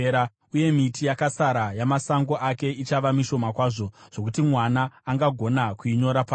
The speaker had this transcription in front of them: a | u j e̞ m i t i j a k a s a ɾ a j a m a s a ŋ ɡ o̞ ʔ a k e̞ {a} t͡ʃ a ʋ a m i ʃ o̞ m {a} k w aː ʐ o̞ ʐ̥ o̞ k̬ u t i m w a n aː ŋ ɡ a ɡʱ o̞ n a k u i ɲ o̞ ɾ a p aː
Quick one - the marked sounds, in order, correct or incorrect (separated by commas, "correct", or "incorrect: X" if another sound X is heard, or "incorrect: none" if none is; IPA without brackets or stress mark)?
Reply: incorrect: i, correct